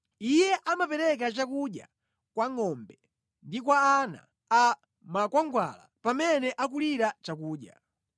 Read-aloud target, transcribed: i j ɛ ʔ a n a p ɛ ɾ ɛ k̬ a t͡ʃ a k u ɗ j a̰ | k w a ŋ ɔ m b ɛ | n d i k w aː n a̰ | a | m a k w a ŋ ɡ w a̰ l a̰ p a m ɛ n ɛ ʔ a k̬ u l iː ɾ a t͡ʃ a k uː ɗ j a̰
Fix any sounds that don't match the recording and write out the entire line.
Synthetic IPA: i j ɛ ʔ a m a p ɛ ɾ ɛ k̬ a t͡ʃ a k u ɗ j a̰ | k w a ŋ ɔ m b ɛ | n d i k w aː n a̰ | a | m a k w a ŋ ɡ w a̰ l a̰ p a m ɛ n ɛ ʔ a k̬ u l i ɾ a t͡ʃ a k uː ɗ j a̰